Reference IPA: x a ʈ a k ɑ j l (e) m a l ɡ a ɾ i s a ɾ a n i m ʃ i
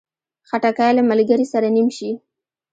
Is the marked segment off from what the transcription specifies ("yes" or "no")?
yes